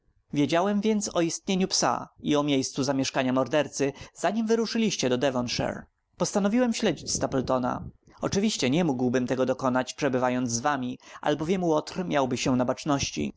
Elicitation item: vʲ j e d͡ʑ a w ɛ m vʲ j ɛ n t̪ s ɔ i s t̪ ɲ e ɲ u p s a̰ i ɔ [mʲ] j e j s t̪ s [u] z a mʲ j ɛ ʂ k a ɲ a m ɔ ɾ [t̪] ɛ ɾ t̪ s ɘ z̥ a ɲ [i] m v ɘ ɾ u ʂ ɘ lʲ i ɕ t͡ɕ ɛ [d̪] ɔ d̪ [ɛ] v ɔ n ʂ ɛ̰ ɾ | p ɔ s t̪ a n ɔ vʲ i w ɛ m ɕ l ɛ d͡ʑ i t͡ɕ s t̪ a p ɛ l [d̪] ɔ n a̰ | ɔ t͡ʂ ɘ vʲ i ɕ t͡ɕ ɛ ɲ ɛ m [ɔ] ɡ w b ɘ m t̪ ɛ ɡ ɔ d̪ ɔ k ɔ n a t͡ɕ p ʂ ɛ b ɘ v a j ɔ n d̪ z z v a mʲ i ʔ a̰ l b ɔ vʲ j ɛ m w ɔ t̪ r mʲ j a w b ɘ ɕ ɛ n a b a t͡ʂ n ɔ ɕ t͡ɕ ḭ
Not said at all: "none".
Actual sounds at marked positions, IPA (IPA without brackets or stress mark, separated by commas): mʲ, u, d̪, i, d̪, ɛ, t̪, u